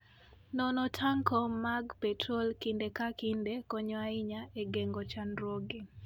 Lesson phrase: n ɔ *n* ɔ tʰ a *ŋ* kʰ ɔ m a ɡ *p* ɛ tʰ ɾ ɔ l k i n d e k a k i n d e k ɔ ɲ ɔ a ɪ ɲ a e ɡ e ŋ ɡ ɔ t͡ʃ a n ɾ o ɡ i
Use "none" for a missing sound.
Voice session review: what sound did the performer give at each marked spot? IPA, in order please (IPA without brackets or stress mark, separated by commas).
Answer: n, ŋ, p